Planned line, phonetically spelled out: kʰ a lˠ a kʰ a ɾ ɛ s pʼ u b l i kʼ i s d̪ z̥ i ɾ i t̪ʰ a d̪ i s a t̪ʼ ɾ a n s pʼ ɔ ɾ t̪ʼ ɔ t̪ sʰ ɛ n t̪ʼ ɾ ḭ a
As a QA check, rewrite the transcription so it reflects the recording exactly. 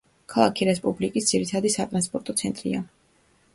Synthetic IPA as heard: kʰ a lˠ a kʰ i ɾ ɛ s pʼ u b l i kʼ i s d̪ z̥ i ɾ i t̪ʰ a d̪ i s a t̪ʼ ɾ a n s pʼ ɔ ɾ t̪ʼ ɔ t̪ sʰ ɛ n t̪ʼ ɾ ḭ a